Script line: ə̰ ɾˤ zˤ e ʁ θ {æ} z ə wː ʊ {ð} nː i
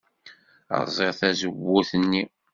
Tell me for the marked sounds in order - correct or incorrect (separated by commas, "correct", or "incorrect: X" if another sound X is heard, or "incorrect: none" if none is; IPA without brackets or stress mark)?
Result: correct, incorrect: θ